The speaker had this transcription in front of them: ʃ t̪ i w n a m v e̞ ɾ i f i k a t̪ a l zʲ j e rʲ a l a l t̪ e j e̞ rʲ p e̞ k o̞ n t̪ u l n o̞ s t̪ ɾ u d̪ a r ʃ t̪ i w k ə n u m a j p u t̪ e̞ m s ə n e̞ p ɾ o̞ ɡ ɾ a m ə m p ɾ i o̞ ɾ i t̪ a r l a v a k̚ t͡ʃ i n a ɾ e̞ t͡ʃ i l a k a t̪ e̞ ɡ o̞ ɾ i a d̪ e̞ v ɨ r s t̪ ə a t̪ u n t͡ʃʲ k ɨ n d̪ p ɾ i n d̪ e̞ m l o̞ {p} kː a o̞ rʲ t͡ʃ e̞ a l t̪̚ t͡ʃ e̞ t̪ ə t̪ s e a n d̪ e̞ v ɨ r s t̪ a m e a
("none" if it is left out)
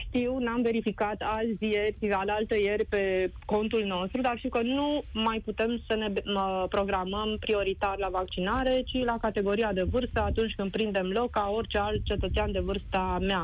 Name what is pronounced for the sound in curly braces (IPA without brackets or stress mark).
k